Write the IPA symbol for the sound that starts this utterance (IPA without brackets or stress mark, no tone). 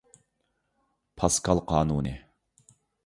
pʰ